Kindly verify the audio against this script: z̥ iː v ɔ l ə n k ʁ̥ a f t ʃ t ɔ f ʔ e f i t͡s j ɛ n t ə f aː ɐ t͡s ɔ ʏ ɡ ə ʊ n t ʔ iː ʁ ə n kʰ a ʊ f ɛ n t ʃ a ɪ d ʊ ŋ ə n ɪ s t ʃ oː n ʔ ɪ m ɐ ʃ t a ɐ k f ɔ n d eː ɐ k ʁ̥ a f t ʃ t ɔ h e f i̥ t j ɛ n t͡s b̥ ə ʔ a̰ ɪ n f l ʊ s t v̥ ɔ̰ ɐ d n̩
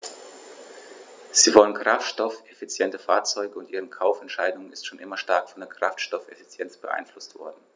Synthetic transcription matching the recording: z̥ iː v ɔ l ə n k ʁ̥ a f t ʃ t ɔ f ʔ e f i t͡s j ɛ n t ə f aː ɐ t͡s ɔ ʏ ɡ ə ʊ n t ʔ iː ʁ ə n kʰ a ʊ f ɛ n t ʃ a ɪ d ʊ ŋ ə n ɪ s t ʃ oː n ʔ ɪ m ɐ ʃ t a ɐ k f ɔ n d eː ɐ k ʁ̥ a f t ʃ t ɔ f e f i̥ t͡s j ɛ n t͡s b̥ ə ʔ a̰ ɪ n f l ʊ s t v̥ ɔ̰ ɐ d n̩

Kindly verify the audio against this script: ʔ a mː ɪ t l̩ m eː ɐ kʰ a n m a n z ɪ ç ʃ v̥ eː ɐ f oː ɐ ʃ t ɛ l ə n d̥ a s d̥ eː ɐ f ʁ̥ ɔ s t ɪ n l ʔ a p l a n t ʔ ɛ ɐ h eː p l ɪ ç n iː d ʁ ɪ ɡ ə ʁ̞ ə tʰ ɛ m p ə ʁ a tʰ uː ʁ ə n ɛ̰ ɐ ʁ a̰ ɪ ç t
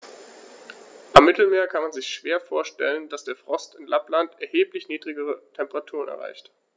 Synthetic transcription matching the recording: ʔ a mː ɪ t l̩ m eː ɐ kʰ a n m a n z ɪ ç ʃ v̥ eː ɐ f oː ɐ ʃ t ɛ l ə n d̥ a s d̥ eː ɐ f ʁ̥ ɔ s t ɪ n l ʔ a p l a n t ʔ ɛ ɐ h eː p l ɪ ç n iː d ʁ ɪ ɡ ə ʁ̞ ə tʰ ɛ m p ə ʁ a tʰ uː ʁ ə n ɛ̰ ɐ ʁ a̰ ɪ ç t

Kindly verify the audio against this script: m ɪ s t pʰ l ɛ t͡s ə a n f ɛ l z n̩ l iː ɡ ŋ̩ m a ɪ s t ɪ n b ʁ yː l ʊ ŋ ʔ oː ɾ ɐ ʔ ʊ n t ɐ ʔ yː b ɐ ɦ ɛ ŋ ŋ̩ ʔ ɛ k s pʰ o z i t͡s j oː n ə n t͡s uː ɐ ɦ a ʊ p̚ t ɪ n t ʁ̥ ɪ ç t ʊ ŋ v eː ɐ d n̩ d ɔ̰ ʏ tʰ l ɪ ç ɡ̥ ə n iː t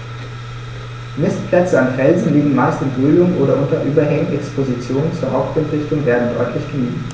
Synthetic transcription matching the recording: m ɪ s t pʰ l ɛ t͡s ə a n f ɛ l z n̩ l iː ɡ ŋ̩ m a ɪ s t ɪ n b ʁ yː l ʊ ŋ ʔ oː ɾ ɐ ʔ ʊ n t ɐ ʔ yː b ɐ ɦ ɛ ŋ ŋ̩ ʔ ɛ k s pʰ o z i t͡s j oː n ə n t͡s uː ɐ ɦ a ʊ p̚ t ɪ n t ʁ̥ ɪ ç t ʊ ŋ v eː ɐ d n̩ d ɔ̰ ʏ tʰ l ɪ ç ɡ̥ ə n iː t

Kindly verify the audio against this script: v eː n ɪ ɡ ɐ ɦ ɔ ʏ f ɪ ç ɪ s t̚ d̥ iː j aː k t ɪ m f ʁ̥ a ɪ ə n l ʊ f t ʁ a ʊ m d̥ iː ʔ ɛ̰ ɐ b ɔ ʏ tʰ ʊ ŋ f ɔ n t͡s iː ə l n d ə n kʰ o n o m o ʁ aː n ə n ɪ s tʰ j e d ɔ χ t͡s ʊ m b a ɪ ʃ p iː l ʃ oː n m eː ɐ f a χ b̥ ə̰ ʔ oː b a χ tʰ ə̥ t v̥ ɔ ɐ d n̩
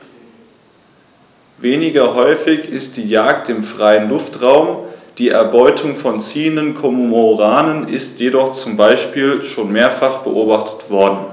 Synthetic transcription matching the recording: v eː n ɪ ɡ ɐ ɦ ɔ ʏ f ɪ ç ɪ s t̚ d̥ iː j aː k t ɪ m f ʁ̥ a ɪ ə n l ʊ f t ʁ a ʊ m d̥ iː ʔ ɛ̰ ɐ b ɔ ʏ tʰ ʊ ŋ f ɔ n t͡s iː ə n d ə n kʰ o m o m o ʁ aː n ə n ɪ s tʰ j e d ɔ χ t͡s ʊ m b a ɪ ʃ p iː l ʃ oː n m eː ɐ f a χ b̥ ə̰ ʔ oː b a χ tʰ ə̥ t v̥ ɔ ɐ d n̩

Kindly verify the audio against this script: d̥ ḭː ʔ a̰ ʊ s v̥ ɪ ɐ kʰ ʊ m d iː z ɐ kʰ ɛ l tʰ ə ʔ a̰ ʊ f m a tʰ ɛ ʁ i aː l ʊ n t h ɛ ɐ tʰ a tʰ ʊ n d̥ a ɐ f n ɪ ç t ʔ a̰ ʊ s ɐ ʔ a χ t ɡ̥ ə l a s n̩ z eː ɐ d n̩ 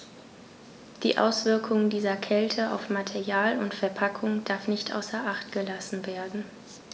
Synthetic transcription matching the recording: d̥ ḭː ʔ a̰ ʊ s v̥ ɪ ɐ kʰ ʊ ŋ d iː z ɐ kʰ ɛ l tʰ ə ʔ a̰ ʊ f m a tʰ ɛ ʁ j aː l ʊ n t f ɛ ɐ pʰ a kʰ ʊ ŋ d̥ a ɐ f n ɪ ç t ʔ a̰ ʊ s ɐ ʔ a χ t ɡ̥ ə l a s n̩ v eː ɐ d n̩

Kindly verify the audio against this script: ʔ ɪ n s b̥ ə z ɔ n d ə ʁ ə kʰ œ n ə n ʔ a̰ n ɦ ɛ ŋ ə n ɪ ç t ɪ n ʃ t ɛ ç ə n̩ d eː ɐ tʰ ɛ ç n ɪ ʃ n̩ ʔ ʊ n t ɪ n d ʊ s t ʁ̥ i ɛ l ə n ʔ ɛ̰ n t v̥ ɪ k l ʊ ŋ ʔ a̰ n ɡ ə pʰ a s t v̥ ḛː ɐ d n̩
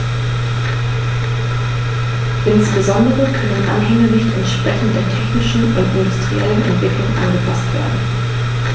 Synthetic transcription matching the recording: ʔ ɪ n s b̥ ə z ɔ n d ə ʁ ə kʰ œ n ə n ʔ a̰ n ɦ ɛ ŋ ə n ɪ ç t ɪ n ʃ p ɛ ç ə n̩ d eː ɐ tʰ ɛ ç n ɪ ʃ n̩ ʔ ʊ n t ɪ n d ʊ s t ʁ̥ i ɛ l ə n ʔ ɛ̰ n t v̥ ɪ k l ʊ ŋ ʔ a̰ n ɡ ə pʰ a s t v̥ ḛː ɐ d n̩

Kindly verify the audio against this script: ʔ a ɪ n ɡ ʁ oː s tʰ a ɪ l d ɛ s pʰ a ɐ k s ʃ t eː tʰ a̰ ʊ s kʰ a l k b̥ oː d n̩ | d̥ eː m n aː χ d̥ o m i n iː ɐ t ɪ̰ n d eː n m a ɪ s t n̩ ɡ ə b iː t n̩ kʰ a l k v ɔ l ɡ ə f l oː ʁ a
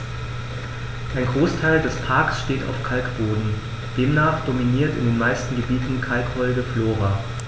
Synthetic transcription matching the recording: ʔ a ɪ n ɡ ʁ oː s tʰ a ɪ l d ɛ s pʰ a ɐ k s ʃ t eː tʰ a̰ ʊ f kʰ a l k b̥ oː d n̩ | d̥ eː m n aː χ d̥ o m i n iː ɐ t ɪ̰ n d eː n m a ɪ s t n̩ ɡ ə b iː t n̩ kʰ a l k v ɔ l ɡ ə f l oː ʁ a

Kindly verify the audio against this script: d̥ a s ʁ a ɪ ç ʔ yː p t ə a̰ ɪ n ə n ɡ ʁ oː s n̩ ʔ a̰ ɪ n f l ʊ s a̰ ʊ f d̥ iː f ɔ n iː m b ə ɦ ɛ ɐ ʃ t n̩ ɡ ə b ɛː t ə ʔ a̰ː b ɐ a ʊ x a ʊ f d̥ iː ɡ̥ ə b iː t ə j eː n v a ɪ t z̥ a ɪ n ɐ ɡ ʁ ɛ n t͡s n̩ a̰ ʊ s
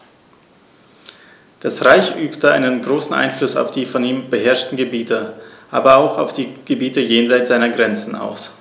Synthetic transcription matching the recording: d̥ a s ʁ a ɪ ç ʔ yː p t ə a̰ ɪ n ə n ɡ ʁ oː s n̩ ʔ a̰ ɪ n f l ʊ s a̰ ʊ f d̥ iː f ɔ n iː m b ə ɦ ɛ ɐ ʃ t n̩ ɡ ə b iː t ə ʔ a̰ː b ɐ a ʊ x a ʊ f d̥ iː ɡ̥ ə b iː t ə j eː n z a ɪ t z̥ a ɪ n ɐ ɡ ʁ ɛ n t͡s n̩ a̰ ʊ s

